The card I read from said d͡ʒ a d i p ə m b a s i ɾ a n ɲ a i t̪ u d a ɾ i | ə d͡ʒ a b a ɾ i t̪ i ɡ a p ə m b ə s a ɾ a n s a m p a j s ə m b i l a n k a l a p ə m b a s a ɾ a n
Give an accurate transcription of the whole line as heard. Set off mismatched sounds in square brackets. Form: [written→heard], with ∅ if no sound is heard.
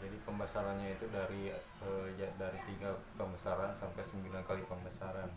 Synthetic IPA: d͡ʒ a d i p ə m b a s [i→a] ɾ a n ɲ a i t̪ u d a ɾ i | ə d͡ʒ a [b→d] a ɾ i t̪ i ɡ a p ə m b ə s a ɾ a n s a m p a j s ə m b i l a n k a l [a→i] p ə m b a s a ɾ a n